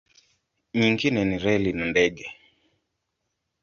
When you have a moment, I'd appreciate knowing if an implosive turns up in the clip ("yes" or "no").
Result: no